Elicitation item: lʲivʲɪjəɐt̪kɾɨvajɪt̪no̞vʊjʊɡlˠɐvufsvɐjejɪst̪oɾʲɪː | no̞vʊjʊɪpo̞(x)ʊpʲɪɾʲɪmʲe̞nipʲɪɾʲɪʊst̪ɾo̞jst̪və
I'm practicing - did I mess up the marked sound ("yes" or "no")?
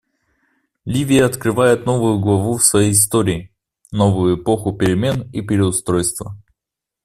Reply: no